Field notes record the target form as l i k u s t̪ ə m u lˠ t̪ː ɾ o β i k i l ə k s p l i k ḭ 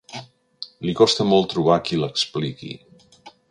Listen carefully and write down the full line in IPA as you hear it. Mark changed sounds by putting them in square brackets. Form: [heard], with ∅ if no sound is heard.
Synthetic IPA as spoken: l i k [ɔ] s t̪ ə m [ɔ] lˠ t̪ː ɾ [u] β [a] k i l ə k s p l i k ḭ